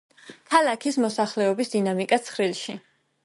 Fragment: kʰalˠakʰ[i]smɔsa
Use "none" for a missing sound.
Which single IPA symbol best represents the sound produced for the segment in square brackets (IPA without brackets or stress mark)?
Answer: i